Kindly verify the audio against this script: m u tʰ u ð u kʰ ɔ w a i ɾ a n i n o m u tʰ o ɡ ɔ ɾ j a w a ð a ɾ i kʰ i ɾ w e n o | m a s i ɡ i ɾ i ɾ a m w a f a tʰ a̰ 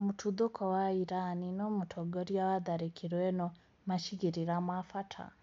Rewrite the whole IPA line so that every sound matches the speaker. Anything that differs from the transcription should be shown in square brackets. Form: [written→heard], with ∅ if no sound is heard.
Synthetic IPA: m u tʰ u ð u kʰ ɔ w a i ɾ a n i n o m u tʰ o ɡ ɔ ɾ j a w a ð a ɾ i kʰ i ɾ w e n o | m a [s→ʃ] i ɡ i ɾ i ɾ a m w a f a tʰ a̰